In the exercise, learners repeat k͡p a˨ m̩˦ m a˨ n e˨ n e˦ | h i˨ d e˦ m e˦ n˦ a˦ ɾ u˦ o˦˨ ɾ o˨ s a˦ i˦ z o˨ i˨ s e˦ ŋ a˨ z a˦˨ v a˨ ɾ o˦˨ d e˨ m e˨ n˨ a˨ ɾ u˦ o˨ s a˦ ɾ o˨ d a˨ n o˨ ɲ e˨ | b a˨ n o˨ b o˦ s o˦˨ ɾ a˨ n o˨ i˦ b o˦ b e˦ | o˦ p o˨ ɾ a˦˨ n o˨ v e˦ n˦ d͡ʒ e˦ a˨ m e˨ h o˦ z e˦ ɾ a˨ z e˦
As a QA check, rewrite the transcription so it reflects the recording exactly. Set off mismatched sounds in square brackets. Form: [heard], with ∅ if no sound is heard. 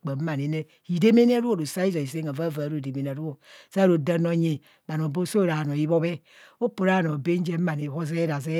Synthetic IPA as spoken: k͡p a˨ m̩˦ m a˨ n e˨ n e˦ | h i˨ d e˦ m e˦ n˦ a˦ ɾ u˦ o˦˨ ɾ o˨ s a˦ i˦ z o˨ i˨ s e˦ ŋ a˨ [v] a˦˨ v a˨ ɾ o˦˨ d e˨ m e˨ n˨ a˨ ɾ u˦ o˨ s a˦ ɾ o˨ d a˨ n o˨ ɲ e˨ | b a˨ n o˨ b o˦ s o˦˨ ɾ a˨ n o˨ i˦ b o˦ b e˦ | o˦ p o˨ ɾ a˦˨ n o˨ [b] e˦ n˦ d͡ʒ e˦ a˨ [n] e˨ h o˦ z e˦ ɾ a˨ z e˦

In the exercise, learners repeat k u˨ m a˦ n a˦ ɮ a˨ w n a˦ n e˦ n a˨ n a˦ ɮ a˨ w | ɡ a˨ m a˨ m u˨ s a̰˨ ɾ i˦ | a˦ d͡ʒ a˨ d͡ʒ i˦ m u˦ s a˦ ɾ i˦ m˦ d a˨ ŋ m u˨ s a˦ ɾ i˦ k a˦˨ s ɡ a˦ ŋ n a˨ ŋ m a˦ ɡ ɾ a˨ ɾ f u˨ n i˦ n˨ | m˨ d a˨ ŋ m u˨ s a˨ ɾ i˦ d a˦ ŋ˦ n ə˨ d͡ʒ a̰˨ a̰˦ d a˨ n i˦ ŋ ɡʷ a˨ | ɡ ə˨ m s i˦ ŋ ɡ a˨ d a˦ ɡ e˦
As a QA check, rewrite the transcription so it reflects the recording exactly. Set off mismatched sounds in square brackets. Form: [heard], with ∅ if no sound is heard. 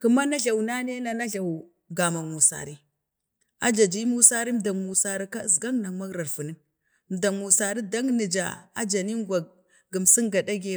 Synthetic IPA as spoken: k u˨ m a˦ n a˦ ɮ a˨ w n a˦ n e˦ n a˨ n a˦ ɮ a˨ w | ɡ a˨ m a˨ m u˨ s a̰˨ ɾ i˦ | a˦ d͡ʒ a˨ d͡ʒ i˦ m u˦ s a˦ ɾ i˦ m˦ d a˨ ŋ m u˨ s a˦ ɾ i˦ k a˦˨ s ɡ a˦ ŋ n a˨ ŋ m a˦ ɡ ɾ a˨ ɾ f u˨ n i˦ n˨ | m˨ d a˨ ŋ m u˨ s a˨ ɾ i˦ d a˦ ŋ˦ n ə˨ d͡ʒ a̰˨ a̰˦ [d͡ʒ] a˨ n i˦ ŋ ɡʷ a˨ | ɡ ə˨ m s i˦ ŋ ɡ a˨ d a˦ ɡ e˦

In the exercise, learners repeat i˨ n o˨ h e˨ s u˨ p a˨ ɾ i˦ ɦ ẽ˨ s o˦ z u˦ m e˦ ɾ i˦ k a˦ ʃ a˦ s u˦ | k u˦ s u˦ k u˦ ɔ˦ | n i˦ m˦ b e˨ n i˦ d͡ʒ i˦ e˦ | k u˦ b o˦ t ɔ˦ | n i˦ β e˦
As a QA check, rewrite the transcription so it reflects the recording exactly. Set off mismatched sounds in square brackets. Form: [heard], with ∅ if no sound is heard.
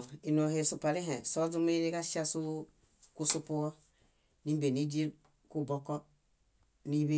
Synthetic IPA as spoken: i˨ n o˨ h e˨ s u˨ p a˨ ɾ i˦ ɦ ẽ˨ s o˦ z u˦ m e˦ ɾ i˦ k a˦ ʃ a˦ s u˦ | k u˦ s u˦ [p] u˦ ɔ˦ | n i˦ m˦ b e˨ n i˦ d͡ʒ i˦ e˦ | k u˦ b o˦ [k] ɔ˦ | n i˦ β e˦

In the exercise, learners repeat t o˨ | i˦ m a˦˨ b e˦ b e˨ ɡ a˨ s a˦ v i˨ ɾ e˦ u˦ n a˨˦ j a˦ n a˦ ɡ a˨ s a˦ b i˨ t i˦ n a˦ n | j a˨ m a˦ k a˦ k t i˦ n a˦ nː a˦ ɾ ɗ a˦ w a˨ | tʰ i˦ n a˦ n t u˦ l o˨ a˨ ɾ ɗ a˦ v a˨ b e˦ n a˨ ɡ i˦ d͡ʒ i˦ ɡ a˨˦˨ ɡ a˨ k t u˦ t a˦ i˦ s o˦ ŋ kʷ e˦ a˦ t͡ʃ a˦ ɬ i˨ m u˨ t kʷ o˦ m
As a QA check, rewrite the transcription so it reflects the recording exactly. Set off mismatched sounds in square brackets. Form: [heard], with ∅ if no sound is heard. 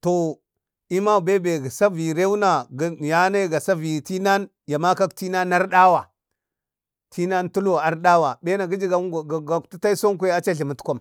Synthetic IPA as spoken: t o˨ | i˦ m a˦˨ b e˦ b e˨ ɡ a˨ s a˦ v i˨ ɾ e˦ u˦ n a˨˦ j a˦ n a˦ ɡ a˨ s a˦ [v] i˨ t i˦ n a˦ n | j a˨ m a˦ k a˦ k t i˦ n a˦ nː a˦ ɾ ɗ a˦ w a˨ | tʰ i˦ n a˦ n t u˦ l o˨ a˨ ɾ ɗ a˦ [w] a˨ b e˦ n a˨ ɡ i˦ d͡ʒ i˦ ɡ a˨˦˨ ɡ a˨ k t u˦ t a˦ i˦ s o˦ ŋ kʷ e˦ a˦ t͡ʃ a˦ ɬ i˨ m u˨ t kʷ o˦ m

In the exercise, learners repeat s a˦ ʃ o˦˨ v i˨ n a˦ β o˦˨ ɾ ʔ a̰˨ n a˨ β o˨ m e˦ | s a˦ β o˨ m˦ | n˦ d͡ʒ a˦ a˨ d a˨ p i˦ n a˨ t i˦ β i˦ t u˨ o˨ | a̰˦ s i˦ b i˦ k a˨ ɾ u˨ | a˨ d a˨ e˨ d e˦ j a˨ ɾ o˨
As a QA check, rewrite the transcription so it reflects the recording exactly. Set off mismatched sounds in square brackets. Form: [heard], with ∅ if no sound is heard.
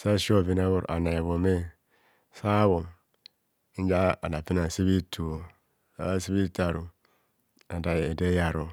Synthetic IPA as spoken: s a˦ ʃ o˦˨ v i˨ n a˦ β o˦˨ ɾ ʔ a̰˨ n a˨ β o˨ m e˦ | s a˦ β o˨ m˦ | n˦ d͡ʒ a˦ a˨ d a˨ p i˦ n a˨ [s] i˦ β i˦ t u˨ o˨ | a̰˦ s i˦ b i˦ [t] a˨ ɾ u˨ | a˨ d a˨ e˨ d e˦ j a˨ ɾ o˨

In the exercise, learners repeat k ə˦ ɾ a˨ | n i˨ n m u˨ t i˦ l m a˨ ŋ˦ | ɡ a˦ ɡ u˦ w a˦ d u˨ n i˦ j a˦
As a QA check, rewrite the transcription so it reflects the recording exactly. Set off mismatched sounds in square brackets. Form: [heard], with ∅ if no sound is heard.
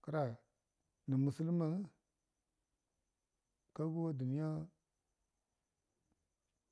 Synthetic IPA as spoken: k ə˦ ɾ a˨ | n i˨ [∅] m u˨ [s] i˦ l m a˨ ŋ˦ | [k] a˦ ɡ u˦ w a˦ d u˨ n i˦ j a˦

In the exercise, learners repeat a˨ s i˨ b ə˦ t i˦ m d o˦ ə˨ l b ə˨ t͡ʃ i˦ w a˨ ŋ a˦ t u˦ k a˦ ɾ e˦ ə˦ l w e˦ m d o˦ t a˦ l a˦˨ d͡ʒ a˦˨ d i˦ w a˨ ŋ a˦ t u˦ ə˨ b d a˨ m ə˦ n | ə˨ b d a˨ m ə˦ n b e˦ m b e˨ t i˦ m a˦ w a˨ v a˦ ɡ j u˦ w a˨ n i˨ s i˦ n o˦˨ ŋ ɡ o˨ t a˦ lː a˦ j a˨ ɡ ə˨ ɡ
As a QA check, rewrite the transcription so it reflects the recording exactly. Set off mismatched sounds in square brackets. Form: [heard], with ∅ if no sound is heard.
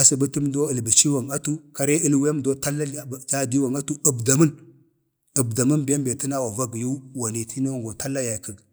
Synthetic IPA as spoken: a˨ s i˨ b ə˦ t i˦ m d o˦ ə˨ l b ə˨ t͡ʃ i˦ w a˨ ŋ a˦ t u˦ k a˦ ɾ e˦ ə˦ l w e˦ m d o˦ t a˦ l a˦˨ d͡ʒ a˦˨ d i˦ w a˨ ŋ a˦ t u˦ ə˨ b d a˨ m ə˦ n | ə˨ b d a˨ m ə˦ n b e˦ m b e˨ t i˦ [n] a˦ w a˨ v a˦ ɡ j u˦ w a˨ n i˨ [t] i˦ n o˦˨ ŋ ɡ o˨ t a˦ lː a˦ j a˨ [k] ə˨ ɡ

